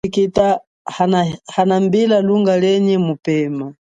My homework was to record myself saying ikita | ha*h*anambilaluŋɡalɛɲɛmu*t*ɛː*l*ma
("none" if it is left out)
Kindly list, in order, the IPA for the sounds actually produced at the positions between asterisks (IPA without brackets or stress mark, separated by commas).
h, p, none